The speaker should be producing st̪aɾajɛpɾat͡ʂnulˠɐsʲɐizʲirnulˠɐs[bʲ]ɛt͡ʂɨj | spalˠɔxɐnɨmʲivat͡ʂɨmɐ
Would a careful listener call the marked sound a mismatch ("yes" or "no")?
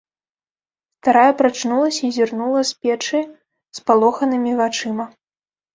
yes